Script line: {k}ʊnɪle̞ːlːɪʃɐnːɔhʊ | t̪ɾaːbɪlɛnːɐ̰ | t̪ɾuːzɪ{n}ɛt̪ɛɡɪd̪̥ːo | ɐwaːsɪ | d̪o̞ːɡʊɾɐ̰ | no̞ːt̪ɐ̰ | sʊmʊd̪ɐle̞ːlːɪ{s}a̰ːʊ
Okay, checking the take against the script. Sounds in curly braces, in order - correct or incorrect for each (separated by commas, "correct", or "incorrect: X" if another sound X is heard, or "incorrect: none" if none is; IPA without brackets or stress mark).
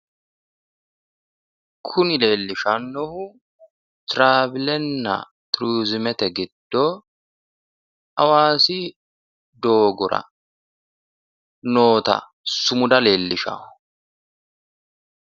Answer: incorrect: kʰ, incorrect: m, incorrect: ʃ